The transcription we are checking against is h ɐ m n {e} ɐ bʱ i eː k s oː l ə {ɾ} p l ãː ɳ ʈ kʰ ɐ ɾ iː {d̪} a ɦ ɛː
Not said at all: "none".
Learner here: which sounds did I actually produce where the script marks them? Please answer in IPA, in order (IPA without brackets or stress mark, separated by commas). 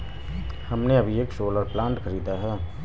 e, ɾ, d̪